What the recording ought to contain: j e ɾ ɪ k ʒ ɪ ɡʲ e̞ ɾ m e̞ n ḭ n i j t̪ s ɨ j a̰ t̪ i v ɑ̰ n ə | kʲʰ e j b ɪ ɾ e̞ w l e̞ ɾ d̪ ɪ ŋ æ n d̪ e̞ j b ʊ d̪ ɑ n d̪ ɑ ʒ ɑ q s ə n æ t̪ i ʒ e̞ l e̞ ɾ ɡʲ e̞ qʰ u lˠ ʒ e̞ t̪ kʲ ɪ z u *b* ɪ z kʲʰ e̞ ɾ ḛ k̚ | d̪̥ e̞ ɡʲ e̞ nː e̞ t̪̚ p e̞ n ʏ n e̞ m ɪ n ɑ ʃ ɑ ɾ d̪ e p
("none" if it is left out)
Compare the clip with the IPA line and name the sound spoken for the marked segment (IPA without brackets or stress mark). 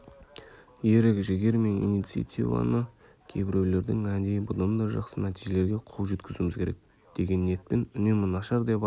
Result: m